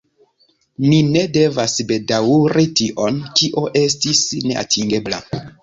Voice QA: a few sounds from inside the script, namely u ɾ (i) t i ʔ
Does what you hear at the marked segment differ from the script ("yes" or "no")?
no